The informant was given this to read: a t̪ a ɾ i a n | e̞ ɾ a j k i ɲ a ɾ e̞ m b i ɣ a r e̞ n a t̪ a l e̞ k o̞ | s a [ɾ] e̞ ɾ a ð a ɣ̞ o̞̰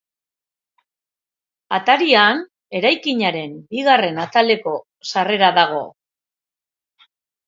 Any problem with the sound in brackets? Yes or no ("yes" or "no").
yes